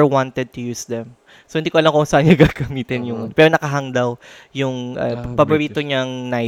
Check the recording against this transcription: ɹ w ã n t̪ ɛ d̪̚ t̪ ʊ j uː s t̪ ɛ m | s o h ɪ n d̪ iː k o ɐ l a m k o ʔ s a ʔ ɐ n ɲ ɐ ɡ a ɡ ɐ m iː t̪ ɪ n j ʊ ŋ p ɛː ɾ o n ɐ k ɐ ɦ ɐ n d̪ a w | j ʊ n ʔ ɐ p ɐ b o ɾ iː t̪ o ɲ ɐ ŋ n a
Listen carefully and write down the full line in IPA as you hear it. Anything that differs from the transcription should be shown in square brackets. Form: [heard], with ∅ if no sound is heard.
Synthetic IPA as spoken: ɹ w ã n t̪ ɛ d̪̚ t̪ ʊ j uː s [d̪] ɛ m | s o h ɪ n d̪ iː k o ɐ l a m k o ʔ s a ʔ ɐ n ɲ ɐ ɡ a ɡ ɐ m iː t̪ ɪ n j ʊ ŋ p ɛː ɾ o n ɐ k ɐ ɦ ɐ [ŋ] d̪ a w | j ʊ [ŋ] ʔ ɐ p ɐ b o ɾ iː t̪ o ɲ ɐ ŋ n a